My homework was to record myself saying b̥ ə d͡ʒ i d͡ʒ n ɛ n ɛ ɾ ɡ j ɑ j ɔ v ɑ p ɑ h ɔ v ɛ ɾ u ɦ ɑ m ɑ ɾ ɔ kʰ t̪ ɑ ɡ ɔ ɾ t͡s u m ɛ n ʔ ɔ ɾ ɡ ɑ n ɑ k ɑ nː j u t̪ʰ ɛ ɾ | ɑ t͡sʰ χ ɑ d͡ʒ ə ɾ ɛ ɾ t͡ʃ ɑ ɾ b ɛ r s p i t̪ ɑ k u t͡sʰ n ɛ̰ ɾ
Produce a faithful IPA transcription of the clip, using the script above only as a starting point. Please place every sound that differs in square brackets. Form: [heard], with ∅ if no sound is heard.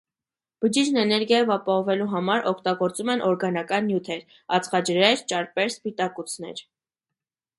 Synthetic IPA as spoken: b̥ ə d͡ʒ i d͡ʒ n ɛ n ɛ ɾ ɡ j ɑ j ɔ v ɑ p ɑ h ɔ v ɛ [l] u ɦ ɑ m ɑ ɾ ɔ kʰ t̪ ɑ ɡ ɔ ɾ t͡s u m ɛ n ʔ ɔ ɾ ɡ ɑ n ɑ k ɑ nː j u t̪ʰ ɛ ɾ | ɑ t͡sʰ χ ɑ d͡ʒ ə ɾ ɛ ɾ t͡ʃ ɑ ɾ [p] ɛ [ɾ] s p i t̪ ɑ k u t͡sʰ n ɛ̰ ɾ